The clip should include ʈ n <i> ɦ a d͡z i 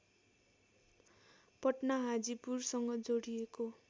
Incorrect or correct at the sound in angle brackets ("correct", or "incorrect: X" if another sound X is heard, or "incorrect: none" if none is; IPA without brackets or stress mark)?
incorrect: a